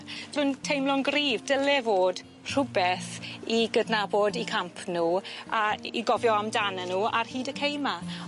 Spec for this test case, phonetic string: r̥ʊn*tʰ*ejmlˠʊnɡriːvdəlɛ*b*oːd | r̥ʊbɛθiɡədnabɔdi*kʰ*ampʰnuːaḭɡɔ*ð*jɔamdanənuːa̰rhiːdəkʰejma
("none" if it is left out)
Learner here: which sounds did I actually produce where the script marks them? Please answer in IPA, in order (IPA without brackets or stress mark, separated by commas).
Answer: tʰ, v, kʰ, v